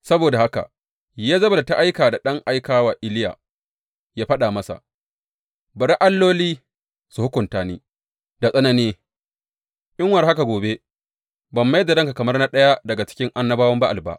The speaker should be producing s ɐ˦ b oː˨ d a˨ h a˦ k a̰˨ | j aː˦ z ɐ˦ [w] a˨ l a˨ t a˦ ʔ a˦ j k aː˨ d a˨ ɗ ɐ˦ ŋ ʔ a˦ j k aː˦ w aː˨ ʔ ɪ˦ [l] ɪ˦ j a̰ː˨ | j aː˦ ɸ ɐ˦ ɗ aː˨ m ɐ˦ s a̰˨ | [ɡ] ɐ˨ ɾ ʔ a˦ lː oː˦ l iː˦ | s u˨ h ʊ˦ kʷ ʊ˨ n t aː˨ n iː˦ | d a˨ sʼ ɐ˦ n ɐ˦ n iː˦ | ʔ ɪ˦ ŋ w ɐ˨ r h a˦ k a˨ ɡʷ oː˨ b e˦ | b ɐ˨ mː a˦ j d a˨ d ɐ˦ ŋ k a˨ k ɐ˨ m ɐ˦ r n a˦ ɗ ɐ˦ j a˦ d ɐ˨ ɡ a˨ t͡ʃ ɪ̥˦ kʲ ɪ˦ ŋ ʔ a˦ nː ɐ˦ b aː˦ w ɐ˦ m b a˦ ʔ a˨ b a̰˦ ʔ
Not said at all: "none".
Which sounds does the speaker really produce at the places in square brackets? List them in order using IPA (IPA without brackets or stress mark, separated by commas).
b, l, b